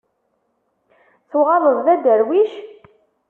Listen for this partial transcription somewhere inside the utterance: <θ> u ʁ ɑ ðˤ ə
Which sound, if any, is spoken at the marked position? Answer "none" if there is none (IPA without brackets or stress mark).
θ